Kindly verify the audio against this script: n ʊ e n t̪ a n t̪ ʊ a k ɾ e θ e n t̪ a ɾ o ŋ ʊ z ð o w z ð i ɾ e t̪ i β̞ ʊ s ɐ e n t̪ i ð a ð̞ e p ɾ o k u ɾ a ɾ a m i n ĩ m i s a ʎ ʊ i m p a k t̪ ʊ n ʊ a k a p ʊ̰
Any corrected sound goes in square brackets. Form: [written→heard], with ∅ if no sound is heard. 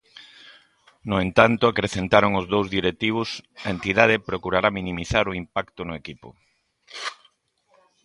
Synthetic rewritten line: n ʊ e n t̪ a n t̪ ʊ a k ɾ e θ e n t̪ a ɾ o ŋ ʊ z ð o w z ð i ɾ e t̪ i β̞ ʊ s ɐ e n t̪ i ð a ð̞ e p ɾ o k u ɾ a ɾ a m i n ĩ m i [s→θ] a [ʎ→ɾ] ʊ i m p a k t̪ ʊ n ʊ [a→e] k [a→i] p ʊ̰